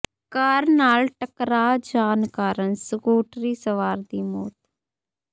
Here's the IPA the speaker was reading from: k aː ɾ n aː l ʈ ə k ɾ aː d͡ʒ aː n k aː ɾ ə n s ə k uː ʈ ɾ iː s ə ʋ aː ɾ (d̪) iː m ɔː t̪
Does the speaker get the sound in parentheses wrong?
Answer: no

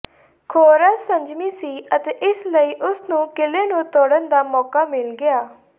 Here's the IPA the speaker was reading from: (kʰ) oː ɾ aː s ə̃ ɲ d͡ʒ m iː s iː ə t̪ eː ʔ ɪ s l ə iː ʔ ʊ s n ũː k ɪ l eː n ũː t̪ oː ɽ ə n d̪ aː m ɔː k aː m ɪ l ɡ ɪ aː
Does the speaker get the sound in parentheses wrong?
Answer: no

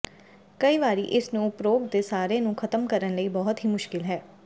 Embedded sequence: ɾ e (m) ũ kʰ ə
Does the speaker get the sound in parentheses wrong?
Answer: yes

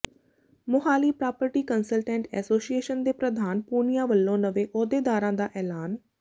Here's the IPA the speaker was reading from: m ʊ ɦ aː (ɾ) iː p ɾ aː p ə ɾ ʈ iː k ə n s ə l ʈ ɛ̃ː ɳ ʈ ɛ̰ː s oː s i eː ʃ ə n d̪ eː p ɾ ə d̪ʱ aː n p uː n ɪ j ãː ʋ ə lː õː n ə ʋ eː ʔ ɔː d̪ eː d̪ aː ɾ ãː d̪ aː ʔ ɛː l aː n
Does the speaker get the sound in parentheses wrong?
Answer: yes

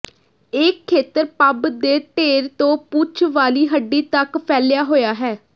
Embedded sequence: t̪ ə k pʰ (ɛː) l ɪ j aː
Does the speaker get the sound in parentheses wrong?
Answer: no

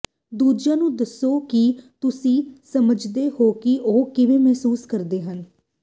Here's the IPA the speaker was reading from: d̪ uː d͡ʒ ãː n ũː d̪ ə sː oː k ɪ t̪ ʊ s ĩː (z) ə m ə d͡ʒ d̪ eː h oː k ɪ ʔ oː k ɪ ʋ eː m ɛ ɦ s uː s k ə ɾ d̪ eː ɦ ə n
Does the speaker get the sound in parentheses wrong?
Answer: yes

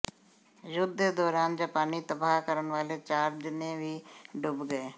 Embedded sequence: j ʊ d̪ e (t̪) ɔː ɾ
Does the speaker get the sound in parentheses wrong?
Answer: yes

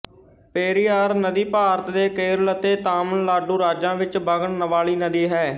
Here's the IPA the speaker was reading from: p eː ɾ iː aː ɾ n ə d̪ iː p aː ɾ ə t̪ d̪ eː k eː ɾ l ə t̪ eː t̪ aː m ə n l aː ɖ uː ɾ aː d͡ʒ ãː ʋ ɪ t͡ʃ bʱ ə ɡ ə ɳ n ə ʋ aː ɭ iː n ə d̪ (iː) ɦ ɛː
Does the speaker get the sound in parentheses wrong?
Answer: no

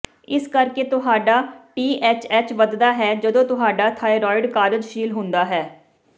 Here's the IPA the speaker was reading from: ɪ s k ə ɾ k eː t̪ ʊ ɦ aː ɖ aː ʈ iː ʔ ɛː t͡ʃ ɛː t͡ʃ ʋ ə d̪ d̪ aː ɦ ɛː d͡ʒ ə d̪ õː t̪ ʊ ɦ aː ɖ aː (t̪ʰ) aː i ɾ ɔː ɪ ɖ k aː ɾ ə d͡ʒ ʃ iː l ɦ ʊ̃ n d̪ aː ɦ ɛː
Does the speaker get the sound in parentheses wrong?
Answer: no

